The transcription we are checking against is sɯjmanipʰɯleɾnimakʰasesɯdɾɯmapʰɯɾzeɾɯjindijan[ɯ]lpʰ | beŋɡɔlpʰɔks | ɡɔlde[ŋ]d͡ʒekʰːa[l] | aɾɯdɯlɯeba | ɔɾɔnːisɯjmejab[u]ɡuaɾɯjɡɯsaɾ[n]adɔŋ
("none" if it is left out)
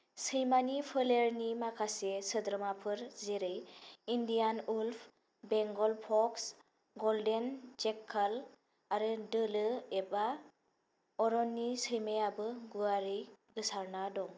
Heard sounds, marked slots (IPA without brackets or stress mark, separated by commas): u, n, l, ɯ, n